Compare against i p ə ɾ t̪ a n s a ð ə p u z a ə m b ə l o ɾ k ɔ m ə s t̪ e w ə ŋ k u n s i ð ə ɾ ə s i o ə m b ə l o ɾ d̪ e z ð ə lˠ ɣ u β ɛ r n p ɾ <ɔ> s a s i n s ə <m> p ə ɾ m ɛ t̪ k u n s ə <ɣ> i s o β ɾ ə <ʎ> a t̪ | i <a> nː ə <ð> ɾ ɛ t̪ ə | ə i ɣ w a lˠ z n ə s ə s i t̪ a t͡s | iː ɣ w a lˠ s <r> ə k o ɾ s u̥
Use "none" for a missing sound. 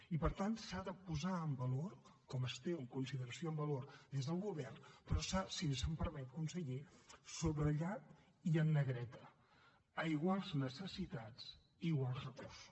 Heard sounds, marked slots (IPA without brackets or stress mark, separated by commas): ɔ, m, ɣ, ʎ, ə, ɣ, r